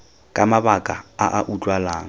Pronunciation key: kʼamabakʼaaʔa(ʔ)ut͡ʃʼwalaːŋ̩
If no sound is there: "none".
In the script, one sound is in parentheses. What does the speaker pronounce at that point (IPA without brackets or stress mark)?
ʔ